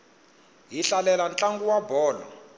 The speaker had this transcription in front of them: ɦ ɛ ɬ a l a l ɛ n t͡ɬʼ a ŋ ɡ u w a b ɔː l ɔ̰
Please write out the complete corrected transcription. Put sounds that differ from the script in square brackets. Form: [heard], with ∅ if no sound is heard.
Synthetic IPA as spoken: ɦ [i] ɬ a l [ɛ] l [a] n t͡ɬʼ a ŋ ɡ u w a b ɔː l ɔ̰